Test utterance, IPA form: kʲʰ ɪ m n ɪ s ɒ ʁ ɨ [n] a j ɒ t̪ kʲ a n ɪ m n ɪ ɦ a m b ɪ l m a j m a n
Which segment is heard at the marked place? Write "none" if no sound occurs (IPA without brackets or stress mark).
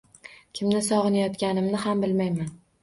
n